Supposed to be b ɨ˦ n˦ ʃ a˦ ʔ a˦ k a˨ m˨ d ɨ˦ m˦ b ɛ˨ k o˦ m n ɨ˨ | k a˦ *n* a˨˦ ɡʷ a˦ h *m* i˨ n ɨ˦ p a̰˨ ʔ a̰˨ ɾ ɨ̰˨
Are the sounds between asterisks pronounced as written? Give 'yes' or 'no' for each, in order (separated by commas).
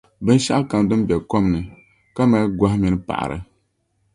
no, yes